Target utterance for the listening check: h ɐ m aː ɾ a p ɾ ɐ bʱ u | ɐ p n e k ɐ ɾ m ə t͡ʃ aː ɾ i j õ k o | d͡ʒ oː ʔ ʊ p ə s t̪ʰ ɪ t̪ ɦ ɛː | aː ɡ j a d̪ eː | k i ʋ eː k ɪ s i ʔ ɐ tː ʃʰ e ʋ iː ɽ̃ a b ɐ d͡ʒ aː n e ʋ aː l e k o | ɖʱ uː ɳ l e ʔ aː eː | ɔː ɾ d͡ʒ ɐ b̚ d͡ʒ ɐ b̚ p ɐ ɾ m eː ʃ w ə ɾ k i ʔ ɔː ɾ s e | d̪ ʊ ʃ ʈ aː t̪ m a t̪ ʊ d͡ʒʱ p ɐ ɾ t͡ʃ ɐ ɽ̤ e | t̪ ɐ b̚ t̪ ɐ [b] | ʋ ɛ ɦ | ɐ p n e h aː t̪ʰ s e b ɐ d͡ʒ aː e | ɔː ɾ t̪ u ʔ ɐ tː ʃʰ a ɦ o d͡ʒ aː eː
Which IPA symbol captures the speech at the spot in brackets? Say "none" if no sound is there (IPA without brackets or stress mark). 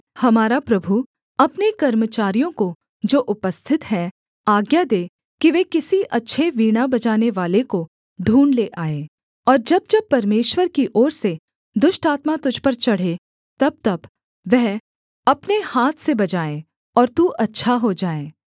b